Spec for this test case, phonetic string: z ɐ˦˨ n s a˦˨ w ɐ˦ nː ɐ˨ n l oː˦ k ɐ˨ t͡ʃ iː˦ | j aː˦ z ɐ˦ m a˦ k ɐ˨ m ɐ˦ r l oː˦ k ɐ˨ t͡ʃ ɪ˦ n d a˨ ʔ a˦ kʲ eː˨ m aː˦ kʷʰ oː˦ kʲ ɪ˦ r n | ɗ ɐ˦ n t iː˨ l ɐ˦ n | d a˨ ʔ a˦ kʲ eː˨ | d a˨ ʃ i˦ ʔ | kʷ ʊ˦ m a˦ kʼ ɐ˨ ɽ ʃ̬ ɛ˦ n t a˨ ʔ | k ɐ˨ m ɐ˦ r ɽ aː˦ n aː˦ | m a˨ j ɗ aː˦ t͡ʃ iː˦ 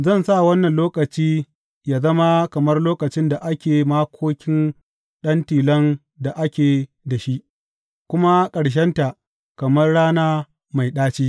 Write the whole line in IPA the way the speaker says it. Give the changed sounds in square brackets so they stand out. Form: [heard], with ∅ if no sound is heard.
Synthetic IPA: z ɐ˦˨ n s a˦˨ w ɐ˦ nː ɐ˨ n l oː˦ k ɐ˨ t͡ʃ iː˦ | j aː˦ z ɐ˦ m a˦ k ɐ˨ m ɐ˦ r l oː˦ k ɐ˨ t͡ʃ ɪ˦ n d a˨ ʔ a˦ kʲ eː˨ m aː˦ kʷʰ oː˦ kʲ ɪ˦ [∅] n | ɗ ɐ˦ n t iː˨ l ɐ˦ n | d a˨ ʔ a˦ kʲ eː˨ | d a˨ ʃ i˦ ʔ | kʷ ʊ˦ m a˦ kʼ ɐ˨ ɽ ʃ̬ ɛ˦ n t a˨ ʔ | k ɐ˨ m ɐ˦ r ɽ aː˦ n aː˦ | m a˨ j ɗ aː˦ t͡ʃ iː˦

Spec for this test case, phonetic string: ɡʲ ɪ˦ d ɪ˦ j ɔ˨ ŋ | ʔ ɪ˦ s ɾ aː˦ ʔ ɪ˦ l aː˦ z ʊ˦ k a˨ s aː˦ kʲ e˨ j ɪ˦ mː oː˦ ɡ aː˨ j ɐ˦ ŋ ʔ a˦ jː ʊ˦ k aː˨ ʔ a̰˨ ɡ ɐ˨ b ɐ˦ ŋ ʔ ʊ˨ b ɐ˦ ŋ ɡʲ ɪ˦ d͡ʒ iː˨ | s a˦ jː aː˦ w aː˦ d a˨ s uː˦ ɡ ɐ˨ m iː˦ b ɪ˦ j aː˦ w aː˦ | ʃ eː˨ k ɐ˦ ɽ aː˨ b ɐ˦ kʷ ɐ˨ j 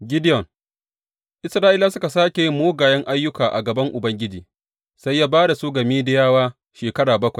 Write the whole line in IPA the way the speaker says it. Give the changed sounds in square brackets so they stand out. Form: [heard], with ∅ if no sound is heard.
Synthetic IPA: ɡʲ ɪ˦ d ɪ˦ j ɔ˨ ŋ | ʔ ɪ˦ s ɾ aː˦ ʔ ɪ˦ l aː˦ [s] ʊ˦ k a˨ s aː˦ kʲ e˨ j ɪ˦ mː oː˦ ɡ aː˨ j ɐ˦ ŋ ʔ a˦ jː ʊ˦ k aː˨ ʔ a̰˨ ɡ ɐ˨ b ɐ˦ ŋ ʔ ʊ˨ b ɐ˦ ŋ ɡʲ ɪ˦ d͡ʒ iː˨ | s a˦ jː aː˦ [b] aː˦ d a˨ s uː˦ ɡ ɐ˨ m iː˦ [d] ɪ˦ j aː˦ w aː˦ | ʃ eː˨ k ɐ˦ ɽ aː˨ b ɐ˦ kʷ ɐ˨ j

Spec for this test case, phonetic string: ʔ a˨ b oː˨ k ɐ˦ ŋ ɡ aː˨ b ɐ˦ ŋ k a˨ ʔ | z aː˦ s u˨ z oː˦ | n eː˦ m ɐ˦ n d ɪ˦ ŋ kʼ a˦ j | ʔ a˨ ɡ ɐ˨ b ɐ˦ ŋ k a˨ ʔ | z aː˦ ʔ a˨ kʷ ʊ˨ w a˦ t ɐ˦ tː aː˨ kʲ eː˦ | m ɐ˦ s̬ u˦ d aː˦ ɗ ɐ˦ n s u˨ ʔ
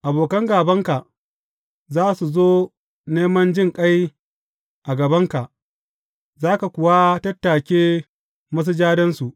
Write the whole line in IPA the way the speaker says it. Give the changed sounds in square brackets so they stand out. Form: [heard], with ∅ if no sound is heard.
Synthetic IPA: ʔ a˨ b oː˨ k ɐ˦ ŋ ɡ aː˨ b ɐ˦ ŋ k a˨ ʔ | z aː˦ s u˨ z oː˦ | n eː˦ m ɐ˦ n [d͡ʒ] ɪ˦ ŋ kʼ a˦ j | ʔ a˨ ɡ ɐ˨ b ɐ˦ ŋ k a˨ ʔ | z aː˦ [k] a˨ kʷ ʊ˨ w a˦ t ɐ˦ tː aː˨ kʲ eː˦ | m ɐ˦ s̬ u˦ [d͡ʒ] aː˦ [d] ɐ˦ n s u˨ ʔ

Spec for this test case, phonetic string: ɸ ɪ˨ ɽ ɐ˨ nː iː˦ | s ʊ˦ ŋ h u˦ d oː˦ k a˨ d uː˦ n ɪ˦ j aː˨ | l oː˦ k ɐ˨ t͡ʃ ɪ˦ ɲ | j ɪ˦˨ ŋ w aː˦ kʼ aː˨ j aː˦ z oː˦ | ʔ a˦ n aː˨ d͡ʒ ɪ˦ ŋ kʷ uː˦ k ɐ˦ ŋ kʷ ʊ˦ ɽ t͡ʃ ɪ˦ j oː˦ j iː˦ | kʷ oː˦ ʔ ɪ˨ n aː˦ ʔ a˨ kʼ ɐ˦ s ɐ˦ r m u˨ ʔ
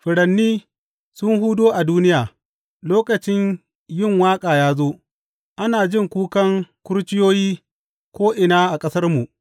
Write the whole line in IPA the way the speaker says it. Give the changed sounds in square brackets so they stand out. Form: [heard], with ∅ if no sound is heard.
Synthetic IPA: ɸ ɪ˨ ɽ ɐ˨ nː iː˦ | s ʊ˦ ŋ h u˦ d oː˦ [ʔ] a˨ d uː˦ n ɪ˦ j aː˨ | l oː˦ k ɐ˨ t͡ʃ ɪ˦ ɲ | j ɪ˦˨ ŋ w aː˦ kʼ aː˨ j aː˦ z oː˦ | ʔ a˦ n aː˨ d͡ʒ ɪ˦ ŋ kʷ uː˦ k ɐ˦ ŋ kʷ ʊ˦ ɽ t͡ʃ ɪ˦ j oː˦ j iː˦ | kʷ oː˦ ʔ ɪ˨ n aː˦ ʔ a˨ kʼ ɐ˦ s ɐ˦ r m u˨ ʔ

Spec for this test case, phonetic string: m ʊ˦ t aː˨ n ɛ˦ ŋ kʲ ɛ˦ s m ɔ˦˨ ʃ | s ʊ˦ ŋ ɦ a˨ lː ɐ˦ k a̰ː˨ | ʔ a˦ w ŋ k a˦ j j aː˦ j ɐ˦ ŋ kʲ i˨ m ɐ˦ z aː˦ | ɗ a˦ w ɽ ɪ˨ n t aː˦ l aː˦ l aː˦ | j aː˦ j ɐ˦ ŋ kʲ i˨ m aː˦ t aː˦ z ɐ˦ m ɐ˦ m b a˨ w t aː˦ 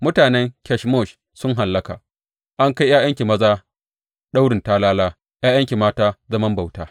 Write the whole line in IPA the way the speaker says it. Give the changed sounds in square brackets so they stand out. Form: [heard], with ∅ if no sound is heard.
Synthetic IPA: m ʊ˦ t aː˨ n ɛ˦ ŋ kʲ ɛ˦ [ʃ] m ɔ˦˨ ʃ | s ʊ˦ ŋ ɦ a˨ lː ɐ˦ k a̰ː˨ | ʔ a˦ [∅] ŋ k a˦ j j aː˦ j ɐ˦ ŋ kʲ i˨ m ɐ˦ z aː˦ | ɗ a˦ w ɽ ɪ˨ n t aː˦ l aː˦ l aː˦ | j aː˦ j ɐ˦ ŋ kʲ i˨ m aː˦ t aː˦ z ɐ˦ m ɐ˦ m b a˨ w t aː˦

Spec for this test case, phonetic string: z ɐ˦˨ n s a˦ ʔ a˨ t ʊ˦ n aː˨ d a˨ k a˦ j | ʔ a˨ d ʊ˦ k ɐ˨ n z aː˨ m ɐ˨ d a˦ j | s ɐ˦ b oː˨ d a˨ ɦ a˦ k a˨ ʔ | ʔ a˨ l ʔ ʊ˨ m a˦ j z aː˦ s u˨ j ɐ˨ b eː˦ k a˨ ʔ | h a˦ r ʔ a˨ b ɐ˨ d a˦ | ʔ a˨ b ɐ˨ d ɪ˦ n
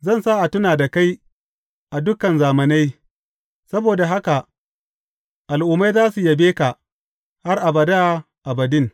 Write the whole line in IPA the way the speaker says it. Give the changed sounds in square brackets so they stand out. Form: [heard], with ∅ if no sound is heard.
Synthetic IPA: z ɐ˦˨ n s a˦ ʔ a˨ t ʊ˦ n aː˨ d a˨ k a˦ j | ʔ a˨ d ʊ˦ k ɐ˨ n z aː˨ m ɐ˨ [n] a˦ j | s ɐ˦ b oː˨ d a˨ ɦ a˦ k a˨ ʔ | ʔ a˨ l ʔ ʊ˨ m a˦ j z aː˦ s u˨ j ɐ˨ b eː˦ k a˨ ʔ | h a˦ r ʔ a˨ b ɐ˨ d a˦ | ʔ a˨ b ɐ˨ d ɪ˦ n

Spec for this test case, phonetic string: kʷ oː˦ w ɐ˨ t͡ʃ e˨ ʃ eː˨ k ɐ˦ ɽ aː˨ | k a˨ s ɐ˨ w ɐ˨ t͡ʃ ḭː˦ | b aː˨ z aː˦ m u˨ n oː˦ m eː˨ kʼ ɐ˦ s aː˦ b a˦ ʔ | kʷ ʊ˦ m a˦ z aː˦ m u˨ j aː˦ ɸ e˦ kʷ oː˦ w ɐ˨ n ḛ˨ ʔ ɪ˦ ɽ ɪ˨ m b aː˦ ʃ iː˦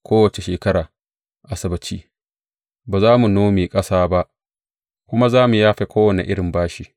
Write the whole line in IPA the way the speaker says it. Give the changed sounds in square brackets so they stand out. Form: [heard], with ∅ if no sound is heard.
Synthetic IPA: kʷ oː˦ w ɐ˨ t͡ʃ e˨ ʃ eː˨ k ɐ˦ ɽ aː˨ | [ʔ] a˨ s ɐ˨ [b] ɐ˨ t͡ʃ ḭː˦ | b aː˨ z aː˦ m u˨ n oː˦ m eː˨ kʼ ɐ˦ s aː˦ b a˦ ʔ | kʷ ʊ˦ m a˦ z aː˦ m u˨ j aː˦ ɸ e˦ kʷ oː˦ w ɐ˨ n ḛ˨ ʔ ɪ˦ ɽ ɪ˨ m b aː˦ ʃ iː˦

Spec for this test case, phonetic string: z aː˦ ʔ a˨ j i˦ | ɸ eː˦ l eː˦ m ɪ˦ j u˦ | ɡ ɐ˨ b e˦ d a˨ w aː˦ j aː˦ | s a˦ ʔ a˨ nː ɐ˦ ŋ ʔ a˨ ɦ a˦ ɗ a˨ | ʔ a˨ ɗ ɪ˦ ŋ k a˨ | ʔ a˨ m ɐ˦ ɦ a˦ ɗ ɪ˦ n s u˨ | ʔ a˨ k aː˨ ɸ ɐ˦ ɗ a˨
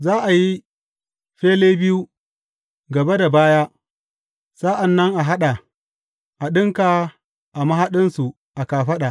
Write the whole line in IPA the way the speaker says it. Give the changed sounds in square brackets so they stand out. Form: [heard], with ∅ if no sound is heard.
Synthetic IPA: z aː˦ ʔ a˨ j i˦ | ɸ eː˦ l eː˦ [b] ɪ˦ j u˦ | ɡ ɐ˨ b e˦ d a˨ [b] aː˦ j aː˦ | s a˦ ʔ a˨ nː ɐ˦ ŋ ʔ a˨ ɦ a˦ ɗ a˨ | ʔ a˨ ɗ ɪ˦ ŋ k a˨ | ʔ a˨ m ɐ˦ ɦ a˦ ɗ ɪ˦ n s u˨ | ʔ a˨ k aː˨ ɸ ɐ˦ ɗ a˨

